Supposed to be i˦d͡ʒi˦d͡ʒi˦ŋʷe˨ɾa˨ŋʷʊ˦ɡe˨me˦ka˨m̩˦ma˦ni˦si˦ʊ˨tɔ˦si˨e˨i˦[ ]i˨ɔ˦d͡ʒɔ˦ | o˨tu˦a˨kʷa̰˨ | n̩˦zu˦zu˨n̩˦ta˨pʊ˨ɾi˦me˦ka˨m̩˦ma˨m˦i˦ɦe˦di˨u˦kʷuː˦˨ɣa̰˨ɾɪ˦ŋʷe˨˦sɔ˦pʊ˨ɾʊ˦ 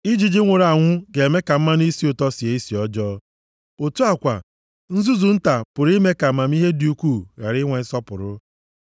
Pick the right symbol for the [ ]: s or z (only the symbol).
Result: s